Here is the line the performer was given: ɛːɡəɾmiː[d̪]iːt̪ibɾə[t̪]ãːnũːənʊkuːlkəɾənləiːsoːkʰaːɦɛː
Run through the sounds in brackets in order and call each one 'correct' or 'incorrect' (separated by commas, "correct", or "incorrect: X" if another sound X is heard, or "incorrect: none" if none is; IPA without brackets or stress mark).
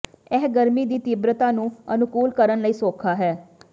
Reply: correct, correct